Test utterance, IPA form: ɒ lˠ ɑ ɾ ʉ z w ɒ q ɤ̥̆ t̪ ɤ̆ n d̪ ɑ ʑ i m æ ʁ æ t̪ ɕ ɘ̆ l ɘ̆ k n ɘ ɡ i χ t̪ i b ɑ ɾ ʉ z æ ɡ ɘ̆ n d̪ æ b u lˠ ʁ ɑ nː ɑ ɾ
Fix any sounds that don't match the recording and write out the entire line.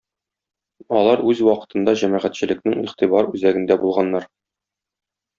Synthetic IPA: ɒ lˠ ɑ ɾ ʉ z w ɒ q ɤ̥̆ t̪ ɤ̆ n d̪ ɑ ʑ æ m æ ʁ æ t̪ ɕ ɘ̆ l ɘ̆ k n ɘ ŋ i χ t̪ i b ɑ ɾ ʉ z æ ɡ ɘ̆ n d̪ æ b u lˠ ʁ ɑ nː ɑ ɾ